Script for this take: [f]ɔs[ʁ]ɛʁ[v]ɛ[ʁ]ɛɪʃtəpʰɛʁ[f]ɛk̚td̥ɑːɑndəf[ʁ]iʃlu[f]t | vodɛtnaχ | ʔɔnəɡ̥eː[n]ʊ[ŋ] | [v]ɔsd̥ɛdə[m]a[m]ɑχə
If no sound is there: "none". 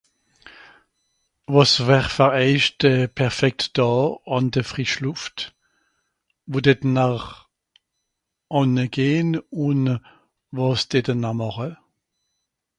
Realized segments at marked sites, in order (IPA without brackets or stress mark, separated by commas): v, v, f, ʁ, f, ʁ, f, n, n, v, n, m